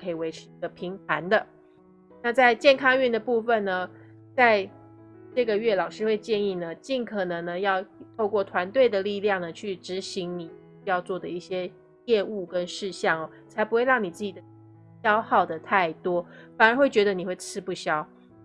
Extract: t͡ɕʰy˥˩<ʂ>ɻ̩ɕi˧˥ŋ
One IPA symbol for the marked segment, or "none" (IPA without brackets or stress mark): ʈ͡ʂ